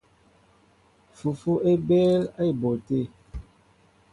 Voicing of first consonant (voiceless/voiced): voiceless